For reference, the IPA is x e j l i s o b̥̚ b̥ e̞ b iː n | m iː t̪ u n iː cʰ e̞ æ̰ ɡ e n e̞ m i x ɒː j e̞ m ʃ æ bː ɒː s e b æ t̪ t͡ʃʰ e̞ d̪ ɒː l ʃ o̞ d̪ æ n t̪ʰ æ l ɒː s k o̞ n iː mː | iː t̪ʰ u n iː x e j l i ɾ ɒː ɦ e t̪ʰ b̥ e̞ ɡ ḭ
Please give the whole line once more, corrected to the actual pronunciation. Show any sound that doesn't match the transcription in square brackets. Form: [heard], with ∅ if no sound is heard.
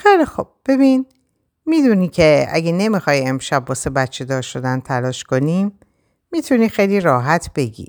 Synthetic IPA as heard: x e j l i [x] o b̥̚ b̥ e̞ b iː n | m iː [d̪] u n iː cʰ e̞ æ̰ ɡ e n e̞ m i x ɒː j e̞ m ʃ æ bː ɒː s e b æ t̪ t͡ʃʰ e̞ d̪ ɒː [ɾ] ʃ o̞ d̪ æ n t̪ʰ æ l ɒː [ʃ] k o̞ n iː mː | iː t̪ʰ u n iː x e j l i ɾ ɒː ɦ [æ] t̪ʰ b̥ e̞ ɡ ḭ